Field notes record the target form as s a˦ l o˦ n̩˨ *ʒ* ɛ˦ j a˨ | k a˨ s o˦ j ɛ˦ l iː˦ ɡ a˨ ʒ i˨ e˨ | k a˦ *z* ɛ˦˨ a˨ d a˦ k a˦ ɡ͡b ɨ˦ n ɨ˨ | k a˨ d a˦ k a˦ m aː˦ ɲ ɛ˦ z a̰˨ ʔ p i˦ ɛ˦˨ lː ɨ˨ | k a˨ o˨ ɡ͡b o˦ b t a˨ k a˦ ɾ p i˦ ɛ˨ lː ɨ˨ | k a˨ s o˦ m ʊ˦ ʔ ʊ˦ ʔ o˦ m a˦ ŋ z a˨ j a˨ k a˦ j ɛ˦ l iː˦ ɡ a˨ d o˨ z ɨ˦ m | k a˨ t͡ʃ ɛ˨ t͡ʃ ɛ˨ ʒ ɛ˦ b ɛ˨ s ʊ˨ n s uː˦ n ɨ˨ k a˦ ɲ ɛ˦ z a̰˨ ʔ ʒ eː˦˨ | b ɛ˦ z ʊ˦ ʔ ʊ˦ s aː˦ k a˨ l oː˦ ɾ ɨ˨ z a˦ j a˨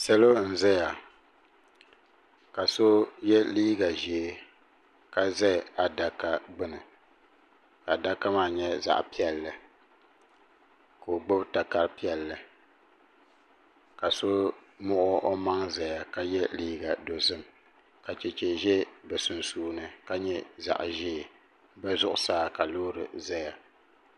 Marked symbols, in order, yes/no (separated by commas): no, yes